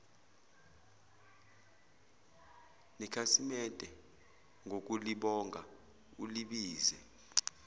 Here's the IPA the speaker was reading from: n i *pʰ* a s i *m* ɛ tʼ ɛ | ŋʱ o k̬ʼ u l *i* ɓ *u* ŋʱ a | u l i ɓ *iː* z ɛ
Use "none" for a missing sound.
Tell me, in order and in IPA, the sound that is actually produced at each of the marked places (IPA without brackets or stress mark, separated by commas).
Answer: kʰ, m, i, ɔ, iː